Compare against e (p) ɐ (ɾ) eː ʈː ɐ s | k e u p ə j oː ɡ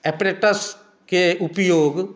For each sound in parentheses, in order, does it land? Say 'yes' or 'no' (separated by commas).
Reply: yes, yes